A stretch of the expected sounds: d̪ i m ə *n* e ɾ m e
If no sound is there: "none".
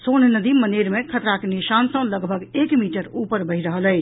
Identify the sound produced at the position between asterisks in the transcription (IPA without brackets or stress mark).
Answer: n